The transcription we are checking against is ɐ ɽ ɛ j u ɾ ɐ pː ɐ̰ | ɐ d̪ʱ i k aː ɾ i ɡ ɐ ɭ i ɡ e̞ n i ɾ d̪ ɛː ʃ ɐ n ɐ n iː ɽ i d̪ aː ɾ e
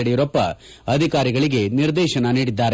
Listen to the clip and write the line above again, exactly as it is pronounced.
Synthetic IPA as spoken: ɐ ɽ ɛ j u ɾ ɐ pː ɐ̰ | ɐ d̪ʱ i k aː ɾ i ɡ ɐ ɭ i ɡ e̞ n i ɾ d̪ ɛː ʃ ɐ n ɐ n iː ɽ i d̪ː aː ɾ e

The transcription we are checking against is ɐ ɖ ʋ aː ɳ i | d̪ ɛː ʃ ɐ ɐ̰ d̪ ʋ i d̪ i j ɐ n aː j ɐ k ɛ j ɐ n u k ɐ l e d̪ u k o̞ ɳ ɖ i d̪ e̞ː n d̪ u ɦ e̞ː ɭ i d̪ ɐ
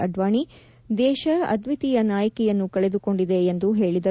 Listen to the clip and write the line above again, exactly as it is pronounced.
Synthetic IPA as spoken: ɐ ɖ ʋ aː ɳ i | d̪ ɛː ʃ ɐ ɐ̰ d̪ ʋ i t̪ i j ɐ n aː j ɐ k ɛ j ɐ nː u k ɐ ɭ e d̪ u k o̞ ɳ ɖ i d̪ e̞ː n d̪ u ɦ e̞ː ɭ i d̪ ɐ

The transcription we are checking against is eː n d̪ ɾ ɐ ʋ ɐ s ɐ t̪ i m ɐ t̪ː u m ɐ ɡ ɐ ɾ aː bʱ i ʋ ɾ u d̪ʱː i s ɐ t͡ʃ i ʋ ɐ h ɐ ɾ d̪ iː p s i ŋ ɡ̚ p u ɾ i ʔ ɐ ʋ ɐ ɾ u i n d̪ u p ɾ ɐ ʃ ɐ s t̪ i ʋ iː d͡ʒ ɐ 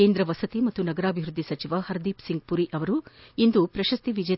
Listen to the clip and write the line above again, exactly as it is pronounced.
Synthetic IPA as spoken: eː n d̪ ɾ ɐ ʋ ɐ s ɐ t̪ i m ɐ t̪ː u n ɐ ɡ ɐ ɾ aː bʱ i ʋ ɾ u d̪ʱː i s ɐ t͡ʃ i ʋ ɐ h ɐ ɾ d̪ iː p s i ŋ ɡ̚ p u ɾ i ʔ ɐ ʋ ɐ ɾ u i n d̪ u p ɾ ɐ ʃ ɐ s t̪ i ʋ i d͡ʒ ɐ

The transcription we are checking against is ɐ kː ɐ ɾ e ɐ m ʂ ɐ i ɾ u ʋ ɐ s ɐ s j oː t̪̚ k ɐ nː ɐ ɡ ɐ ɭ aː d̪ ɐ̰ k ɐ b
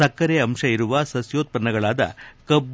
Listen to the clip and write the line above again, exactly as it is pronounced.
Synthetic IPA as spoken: ɐ kː ɐ ɾ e ɐ m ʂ ɐ i ɾ u ʋ ɐ s ɐ s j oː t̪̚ p ɐ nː ɐ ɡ ɐ ɭ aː d̪ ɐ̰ k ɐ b

